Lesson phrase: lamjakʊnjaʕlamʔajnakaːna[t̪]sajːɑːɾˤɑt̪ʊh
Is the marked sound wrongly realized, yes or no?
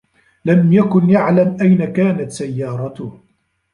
no